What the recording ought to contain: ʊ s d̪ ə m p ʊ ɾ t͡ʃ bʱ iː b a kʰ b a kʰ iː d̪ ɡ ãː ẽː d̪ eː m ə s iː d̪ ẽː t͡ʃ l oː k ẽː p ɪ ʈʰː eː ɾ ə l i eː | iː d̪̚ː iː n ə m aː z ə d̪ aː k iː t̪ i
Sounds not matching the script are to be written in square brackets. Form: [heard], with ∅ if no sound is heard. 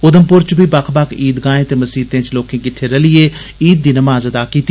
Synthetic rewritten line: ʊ [∅] d̪ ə m p ʊ ɾ t͡ʃ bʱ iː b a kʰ b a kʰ iː d̪ ɡ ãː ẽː [t̪] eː m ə s iː [t̪] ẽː t͡ʃ l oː k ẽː [k] ɪ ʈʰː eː ɾ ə l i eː | iː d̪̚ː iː n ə m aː z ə d̪ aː k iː t̪ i